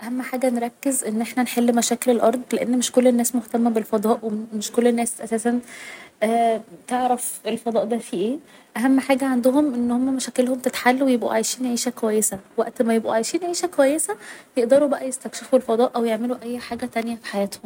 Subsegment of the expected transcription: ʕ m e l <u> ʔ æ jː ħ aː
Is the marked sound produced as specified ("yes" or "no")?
yes